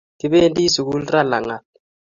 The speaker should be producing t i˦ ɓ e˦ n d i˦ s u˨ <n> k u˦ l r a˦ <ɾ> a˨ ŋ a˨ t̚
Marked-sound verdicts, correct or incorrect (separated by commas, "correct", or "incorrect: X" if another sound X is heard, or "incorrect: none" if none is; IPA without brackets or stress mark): incorrect: none, incorrect: l